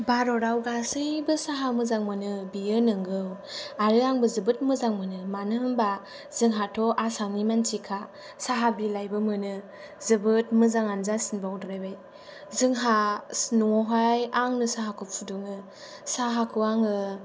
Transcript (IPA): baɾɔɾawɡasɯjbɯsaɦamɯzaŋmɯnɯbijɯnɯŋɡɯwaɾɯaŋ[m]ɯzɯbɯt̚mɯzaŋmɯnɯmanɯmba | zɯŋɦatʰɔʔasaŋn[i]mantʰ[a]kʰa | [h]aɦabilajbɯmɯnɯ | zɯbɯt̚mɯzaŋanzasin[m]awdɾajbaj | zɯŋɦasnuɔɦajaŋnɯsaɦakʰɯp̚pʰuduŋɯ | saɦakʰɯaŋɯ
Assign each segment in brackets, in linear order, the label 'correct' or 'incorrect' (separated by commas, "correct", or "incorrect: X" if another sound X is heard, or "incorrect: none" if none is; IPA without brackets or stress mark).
incorrect: b, correct, incorrect: i, incorrect: s, incorrect: b